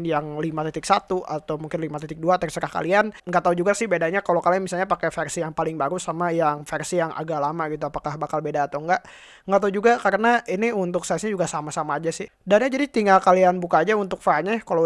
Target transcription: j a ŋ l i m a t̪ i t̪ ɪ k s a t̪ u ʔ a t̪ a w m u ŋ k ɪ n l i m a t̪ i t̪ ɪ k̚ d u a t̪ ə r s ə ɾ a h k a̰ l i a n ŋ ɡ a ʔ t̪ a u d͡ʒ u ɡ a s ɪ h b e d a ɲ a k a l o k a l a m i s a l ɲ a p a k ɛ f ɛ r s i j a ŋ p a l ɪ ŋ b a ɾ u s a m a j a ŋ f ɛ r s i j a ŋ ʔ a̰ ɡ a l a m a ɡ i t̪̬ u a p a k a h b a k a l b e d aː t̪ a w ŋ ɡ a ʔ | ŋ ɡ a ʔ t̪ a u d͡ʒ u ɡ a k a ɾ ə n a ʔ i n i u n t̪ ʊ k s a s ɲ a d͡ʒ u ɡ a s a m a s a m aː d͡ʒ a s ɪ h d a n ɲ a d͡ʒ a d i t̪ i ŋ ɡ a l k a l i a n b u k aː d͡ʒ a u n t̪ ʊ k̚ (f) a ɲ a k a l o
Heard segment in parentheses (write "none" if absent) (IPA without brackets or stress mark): f